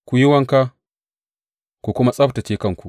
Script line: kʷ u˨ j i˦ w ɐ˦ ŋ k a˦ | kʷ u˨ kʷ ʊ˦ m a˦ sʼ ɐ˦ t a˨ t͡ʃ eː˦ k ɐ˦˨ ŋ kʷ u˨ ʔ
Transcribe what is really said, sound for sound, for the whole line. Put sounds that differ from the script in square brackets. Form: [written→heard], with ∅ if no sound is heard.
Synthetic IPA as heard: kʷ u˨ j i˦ w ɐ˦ ŋ k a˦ | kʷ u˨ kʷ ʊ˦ m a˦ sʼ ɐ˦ t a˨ t͡ʃ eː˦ k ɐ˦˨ ŋ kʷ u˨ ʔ